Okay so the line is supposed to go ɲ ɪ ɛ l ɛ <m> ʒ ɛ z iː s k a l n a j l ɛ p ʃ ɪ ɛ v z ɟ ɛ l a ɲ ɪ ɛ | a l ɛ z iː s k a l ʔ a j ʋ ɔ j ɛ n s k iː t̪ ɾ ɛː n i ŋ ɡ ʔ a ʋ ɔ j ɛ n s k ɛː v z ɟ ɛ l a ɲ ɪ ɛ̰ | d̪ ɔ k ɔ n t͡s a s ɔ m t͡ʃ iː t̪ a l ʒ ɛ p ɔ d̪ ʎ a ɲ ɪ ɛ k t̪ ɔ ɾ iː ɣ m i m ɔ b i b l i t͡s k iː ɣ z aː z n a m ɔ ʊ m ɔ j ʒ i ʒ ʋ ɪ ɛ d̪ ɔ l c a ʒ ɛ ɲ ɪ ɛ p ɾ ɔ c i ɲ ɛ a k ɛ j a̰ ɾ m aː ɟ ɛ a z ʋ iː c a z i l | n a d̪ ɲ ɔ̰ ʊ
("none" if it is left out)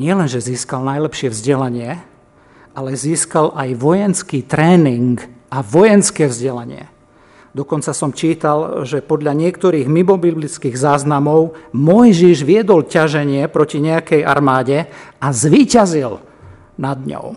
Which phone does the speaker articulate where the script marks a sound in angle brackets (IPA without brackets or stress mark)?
n